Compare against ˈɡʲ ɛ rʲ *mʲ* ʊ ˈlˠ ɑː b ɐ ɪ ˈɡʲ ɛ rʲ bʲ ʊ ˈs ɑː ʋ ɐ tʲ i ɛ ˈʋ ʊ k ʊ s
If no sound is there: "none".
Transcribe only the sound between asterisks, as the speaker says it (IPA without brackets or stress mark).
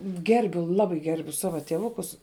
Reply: bʲ